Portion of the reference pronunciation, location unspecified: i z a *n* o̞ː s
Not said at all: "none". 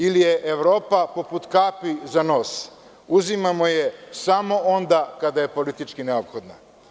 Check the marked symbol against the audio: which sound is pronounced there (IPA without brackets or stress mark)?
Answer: n